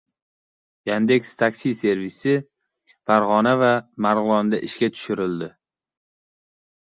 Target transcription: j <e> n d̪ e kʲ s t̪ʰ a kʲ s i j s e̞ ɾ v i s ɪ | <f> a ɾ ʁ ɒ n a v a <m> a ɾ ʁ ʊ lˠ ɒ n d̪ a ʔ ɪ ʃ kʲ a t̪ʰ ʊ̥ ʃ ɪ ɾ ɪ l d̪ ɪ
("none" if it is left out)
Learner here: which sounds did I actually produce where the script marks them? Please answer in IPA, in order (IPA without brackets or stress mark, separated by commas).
a, f, m